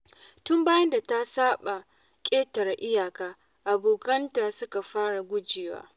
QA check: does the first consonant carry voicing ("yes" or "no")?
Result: no